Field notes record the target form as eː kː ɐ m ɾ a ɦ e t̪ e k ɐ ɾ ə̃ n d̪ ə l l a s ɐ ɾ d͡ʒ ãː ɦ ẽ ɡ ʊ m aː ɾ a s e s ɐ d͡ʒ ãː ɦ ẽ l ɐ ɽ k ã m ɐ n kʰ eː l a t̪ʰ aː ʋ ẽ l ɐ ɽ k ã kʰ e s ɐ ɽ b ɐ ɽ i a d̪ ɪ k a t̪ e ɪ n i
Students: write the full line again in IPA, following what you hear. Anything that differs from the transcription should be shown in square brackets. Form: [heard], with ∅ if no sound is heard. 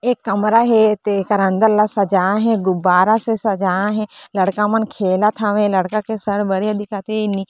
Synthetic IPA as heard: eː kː ɐ m ɾ a ɦ e t̪ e k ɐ ɾ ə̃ n d̪ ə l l a s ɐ [∅] d͡ʒ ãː ɦ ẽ ɡ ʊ [b] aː ɾ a s e s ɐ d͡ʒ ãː ɦ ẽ l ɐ ɽ k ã m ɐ n kʰ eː l a t̪ʰ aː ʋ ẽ l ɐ ɽ k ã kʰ e s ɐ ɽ b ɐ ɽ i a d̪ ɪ k a t̪ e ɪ n i